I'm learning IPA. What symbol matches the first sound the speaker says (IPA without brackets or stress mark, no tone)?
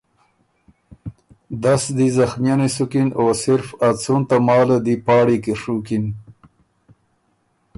d̪